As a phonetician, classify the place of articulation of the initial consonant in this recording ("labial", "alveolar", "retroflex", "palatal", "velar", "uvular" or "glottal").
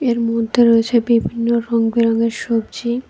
alveolar